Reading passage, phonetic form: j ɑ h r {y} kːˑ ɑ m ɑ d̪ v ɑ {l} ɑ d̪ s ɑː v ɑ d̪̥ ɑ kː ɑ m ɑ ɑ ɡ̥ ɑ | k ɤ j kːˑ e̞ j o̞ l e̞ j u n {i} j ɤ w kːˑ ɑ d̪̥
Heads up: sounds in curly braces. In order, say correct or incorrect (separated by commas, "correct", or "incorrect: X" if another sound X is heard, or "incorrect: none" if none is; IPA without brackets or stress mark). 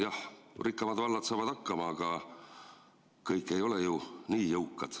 incorrect: i, incorrect: lː, incorrect: iː